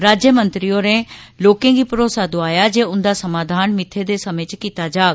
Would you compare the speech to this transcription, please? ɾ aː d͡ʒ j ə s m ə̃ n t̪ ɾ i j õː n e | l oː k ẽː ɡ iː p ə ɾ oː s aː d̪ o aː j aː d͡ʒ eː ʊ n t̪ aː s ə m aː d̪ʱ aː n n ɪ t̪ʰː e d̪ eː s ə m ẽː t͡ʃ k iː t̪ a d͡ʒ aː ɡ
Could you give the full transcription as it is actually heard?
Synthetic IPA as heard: ɾ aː d͡ʒ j ə m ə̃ n t̪ ɾ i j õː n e | l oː k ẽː ɡ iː p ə ɾ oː s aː d̪ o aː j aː d͡ʒ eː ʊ n d̪ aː s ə m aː d̪ʱ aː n m ɪ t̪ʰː e d̪ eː s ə m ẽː t͡ʃ k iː t̪ a d͡ʒ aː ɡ